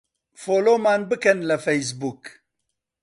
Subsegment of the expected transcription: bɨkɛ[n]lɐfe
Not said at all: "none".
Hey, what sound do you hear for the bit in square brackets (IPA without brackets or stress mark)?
n